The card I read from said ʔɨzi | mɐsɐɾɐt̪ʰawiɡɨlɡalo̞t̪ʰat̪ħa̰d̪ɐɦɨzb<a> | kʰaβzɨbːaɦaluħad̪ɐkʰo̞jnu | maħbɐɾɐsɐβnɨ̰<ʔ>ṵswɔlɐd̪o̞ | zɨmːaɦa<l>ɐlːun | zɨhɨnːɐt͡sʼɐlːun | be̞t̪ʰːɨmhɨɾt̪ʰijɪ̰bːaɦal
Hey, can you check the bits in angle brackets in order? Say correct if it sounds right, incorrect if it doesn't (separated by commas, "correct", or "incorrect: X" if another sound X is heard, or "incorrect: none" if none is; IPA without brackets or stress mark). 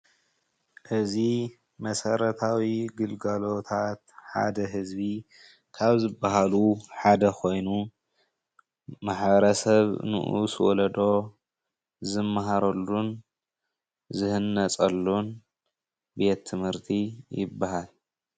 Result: incorrect: i, correct, incorrect: ɾ